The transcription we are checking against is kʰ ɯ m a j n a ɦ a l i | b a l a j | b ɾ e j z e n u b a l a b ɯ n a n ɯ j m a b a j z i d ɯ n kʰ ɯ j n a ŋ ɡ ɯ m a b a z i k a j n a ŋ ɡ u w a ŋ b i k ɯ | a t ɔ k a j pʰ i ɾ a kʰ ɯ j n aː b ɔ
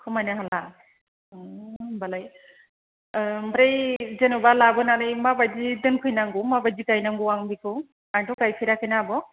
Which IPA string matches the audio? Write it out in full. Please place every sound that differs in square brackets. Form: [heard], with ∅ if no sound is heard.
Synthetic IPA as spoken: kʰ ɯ m a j n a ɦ a l [a] | b a l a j | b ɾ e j z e n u b a l a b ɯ n a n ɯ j m a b a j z i d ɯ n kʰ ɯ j n a ŋ ɡ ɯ m a b a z i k a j n a ŋ ɡ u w a ŋ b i k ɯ | a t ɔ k a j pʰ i ɾ a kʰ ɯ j n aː b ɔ